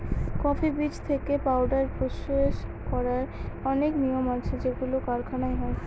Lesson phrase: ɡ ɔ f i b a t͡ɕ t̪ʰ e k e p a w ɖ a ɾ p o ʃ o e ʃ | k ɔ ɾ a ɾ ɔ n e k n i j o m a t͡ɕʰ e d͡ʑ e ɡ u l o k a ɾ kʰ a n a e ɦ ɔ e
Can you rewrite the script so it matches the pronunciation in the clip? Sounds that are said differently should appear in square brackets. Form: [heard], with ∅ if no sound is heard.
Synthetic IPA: [k] ɔ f i b [i] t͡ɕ t̪ʰ e k e p a w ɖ a ɾ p o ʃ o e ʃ | k ɔ ɾ a ɾ ɔ n e k n i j o m a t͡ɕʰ e d͡ʑ e ɡ u l o k a ɾ kʰ a n a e ɦ ɔ e